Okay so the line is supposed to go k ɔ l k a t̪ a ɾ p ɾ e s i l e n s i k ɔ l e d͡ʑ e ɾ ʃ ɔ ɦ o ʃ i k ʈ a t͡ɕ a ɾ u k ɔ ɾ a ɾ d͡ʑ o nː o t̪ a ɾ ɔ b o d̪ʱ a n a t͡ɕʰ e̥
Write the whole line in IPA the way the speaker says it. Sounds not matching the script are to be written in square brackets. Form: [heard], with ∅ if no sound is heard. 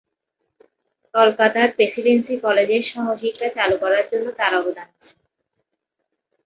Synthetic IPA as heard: k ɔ l k a t̪ a ɾ p ɾ e s i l e n s i k ɔ l e d͡ʑ e ɾ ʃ ɔ ɦ o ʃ i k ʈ a t͡ɕ a [l] u k ɔ ɾ a ɾ d͡ʑ o nː o t̪ a ɾ ɔ b o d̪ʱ a n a t͡ɕʰ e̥